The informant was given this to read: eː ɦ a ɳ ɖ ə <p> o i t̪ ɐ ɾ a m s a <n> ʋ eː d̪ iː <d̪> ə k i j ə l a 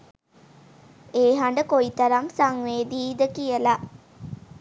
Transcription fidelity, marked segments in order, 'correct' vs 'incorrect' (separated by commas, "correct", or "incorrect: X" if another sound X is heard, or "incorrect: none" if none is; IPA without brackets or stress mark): incorrect: k, incorrect: ŋ, correct